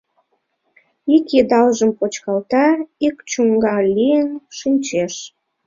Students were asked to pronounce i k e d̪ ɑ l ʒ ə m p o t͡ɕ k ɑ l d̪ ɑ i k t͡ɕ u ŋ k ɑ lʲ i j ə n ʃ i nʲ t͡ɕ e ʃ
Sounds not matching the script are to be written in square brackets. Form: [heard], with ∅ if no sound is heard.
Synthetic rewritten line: i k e d̪ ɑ l ʒ ə m p o t͡ɕ k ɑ l [t̪] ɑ i k t͡ɕ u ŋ [ɡ] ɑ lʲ i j ə n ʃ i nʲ t͡ɕ e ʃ